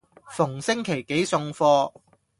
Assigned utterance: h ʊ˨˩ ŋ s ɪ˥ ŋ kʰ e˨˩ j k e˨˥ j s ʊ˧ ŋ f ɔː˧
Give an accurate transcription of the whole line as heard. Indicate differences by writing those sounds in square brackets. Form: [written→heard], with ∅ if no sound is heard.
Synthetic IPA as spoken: [h→f] ʊ˨˩ ŋ s ɪ˥ ŋ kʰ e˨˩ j k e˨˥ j s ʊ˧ ŋ f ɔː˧